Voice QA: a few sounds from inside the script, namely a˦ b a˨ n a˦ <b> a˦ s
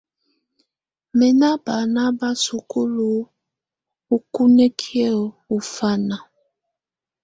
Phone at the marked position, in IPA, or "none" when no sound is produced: b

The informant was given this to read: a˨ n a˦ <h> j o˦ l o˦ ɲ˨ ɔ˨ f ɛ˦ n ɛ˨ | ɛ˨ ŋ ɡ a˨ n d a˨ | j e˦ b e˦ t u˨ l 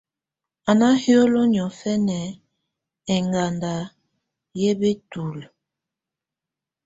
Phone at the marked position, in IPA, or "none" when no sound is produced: h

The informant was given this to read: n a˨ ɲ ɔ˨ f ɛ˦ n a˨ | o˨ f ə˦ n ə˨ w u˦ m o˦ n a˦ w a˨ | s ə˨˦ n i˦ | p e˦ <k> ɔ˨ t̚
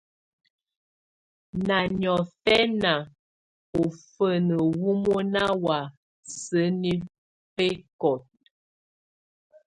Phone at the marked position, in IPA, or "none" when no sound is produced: k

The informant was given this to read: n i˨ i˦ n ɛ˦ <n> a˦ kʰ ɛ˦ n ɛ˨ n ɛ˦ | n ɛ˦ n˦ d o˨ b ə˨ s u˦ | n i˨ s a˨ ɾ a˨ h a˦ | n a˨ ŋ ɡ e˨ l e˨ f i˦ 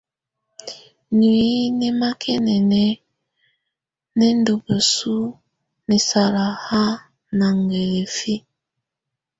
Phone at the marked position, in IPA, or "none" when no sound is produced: m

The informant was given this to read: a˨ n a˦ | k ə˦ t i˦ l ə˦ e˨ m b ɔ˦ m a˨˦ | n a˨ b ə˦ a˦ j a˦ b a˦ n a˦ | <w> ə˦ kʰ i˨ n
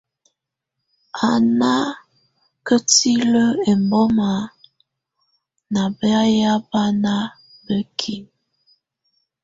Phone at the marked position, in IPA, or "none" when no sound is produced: b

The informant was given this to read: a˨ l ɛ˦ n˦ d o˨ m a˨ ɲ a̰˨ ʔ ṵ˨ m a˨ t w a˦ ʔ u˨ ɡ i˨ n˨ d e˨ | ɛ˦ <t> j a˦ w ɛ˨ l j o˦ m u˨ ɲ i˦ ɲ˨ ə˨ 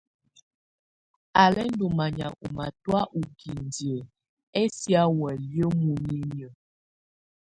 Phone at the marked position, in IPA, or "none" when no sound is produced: s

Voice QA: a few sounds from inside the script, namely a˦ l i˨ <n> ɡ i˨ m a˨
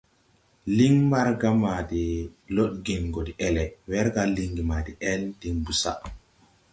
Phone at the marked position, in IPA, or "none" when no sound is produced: ŋ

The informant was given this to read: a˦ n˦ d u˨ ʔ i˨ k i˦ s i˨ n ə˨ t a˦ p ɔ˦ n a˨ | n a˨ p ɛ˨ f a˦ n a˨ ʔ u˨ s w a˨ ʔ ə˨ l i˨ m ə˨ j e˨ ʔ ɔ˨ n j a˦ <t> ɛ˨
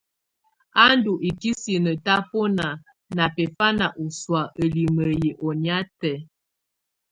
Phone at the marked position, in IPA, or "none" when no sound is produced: t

